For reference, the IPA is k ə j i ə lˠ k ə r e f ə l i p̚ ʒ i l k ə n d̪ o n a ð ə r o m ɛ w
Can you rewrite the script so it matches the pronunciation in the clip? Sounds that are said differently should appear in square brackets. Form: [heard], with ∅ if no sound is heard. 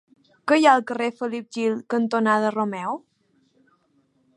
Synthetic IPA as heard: k ə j [a] ə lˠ k ə r e f ə l i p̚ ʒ i l k ə n [t̪] o n a ð ə r o m ɛ w